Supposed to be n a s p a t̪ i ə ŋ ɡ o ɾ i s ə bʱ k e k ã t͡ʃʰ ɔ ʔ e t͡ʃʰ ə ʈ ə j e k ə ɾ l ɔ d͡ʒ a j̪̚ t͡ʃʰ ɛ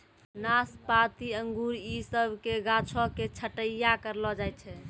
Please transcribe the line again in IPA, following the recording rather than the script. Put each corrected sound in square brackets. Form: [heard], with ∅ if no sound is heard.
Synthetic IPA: n a s p a t̪ i ə ŋ ɡ [u] ɾ i s ə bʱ k e [ɡ] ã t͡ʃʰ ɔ [k] e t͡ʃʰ ə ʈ ə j [a] k ə ɾ l ɔ d͡ʒ a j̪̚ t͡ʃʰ ɛ